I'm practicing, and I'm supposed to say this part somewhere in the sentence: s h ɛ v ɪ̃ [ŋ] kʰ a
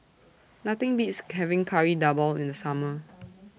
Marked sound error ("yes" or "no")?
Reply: no